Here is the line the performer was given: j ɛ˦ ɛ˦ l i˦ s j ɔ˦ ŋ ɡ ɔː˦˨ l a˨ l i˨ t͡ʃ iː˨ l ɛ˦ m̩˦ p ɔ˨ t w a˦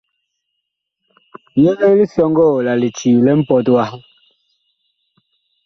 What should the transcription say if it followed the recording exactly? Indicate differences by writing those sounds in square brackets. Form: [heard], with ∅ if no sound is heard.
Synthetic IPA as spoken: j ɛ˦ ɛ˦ l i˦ s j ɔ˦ ŋ ɡ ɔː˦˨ l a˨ l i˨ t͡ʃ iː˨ l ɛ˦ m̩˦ p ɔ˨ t w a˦